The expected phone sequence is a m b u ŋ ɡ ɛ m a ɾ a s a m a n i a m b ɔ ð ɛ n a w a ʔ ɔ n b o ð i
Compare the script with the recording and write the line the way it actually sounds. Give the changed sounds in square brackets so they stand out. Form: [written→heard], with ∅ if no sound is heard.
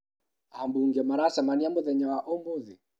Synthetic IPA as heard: a m b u ŋ ɡ ɛ m a ɾ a s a m a n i a m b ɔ ð ɛ [n→ɲ] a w a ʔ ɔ [n→m] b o ð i

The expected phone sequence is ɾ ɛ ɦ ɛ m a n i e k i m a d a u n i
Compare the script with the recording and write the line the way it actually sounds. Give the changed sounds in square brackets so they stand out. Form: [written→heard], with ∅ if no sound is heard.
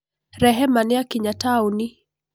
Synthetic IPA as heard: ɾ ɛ ɦ ɛ m a n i [e→a] k i [m→ɲ] a [d→t] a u n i

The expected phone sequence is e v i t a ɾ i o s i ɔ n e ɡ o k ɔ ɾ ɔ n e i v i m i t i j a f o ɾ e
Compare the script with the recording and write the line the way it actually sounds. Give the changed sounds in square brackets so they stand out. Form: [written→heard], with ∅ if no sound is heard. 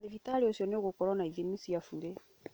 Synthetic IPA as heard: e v i t a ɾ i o s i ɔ n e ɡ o k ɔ ɾ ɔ n [e→a] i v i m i [t→s] i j a f [o→u] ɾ e

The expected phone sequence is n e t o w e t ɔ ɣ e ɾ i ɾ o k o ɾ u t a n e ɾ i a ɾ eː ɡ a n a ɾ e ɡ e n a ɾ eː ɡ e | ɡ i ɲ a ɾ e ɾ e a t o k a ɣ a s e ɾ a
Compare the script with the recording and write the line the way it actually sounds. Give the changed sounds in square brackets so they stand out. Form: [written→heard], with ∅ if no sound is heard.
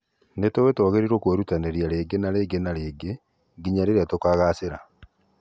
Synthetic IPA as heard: n e t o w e t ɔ ɣ e ɾ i ɾ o k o ɾ u t a n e ɾ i a ɾ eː ɡ [a→e] n a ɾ e ɡ e n a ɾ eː ɡ e | ɡ i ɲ a ɾ e ɾ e a t o k a ɣ a s e ɾ a

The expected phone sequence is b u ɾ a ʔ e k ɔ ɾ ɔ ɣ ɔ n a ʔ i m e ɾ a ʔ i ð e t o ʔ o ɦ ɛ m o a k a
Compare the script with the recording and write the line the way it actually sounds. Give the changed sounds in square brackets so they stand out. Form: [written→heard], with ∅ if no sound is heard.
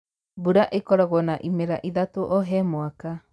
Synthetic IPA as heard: b u ɾ a ʔ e k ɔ ɾ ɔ ɣ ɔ n a ʔ i m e ɾ a ʔ i ð [e→a] t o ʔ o ɦ ɛ m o a k a

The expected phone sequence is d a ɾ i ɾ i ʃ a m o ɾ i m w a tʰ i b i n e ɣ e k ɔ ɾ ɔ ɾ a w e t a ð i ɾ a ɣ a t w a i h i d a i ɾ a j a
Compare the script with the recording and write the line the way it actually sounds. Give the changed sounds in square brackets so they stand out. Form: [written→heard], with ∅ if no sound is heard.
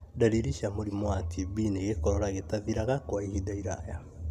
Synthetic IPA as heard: d a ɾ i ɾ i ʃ a m o ɾ i m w a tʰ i b i n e ɣ e k ɔ ɾ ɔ ɾ a [w→ɣ] e t a ð i ɾ a ɣ a [t→k] w a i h i d a i ɾ a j a

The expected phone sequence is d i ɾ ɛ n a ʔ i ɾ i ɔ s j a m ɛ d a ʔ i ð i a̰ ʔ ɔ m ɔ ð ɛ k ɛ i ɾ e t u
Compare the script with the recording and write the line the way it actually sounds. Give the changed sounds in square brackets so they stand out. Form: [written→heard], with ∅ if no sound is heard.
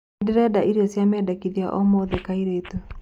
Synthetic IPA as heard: d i ɾ ɛ [n→d] a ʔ i ɾ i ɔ s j a m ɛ d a [ʔ→k] i ð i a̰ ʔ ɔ m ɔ ð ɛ k [ɛ→a] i ɾ e t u

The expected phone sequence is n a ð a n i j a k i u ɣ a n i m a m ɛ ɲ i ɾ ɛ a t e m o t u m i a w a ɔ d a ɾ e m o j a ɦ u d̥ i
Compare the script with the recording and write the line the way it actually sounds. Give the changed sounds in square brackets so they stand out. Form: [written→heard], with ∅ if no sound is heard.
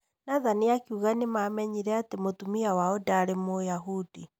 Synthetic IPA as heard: n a ð a n i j a k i u ɣ a n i m a m ɛ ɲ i ɾ ɛ a t e m o t u m i a w a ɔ d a ɾ e m o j a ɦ u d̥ i

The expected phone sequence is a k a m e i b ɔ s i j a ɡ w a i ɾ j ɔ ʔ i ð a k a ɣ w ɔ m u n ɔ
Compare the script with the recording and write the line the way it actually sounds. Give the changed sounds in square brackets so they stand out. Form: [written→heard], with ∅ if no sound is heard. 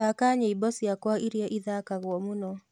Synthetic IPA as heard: a k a [m→ɲ] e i b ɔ s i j a [ɡ→k] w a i ɾ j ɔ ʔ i ð a k a ɣ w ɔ m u n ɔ

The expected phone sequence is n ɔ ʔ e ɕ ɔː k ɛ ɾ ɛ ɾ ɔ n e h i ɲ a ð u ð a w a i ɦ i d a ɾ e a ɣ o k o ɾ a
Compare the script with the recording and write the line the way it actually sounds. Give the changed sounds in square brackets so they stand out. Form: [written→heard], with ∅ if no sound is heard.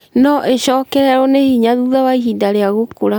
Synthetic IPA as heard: n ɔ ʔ e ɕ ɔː k ɛ ɾ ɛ ɾ ɔ n e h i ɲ a ð u ð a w a i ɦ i d a ɾ e a ɣ o k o ɾ a

